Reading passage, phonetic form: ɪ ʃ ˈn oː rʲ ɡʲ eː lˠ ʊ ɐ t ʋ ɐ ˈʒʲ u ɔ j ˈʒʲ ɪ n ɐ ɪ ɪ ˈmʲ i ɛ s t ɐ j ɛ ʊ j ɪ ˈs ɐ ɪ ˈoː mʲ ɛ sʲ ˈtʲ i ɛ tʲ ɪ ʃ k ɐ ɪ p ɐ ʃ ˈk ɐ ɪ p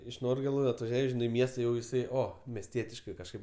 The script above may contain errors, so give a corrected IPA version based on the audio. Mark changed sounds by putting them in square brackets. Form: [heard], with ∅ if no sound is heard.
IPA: ɪ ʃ ˈn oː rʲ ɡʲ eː lˠ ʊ ɐ t ʋ ɐ ˈʒʲ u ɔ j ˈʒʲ ɪ n ɐ ɪ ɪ ˈmʲ i ɛ s t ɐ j ɛ ʊ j ɪ ˈs ɐ ɪ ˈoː mʲ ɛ sʲ ˈtʲ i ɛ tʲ ɪ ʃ k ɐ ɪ [k] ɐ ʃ ˈk ɐ ɪ p